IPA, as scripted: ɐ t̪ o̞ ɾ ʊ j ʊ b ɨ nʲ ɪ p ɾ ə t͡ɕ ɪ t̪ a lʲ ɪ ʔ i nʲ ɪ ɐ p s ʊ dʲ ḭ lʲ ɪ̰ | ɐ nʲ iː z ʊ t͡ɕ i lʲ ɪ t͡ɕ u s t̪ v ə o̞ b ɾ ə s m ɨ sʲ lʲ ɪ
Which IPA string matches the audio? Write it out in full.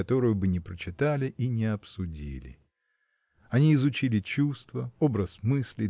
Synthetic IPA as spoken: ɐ t̪ o̞ ɾ ʊ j ʊ b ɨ nʲ ɪ p ɾ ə t͡ɕ ɪ t̪ a lʲ ɪ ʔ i nʲ ɪ ɐ p s ʊ dʲ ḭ lʲ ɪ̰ | ɐ nʲ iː z ʊ t͡ɕ i lʲ ɪ t͡ɕ u s t̪ v ə o̞ b ɾ ə s m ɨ sʲ lʲ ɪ